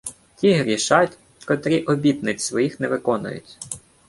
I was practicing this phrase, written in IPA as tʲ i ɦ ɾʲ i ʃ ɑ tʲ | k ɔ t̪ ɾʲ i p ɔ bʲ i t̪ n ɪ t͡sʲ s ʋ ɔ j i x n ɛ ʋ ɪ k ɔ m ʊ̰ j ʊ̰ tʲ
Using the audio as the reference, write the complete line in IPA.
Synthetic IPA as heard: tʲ i ɦ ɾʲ i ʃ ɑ tʲ | k ɔ t̪ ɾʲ i ʔ ɔ bʲ i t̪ n ɪ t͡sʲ s ʋ ɔ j i x n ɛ ʋ ɪ k ɔ n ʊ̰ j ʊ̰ tʲ